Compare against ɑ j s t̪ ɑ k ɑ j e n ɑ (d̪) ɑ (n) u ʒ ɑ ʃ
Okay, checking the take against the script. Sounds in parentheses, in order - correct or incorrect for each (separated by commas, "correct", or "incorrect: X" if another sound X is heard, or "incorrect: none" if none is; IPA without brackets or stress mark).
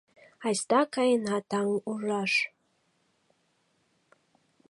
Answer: incorrect: t̪, incorrect: ŋ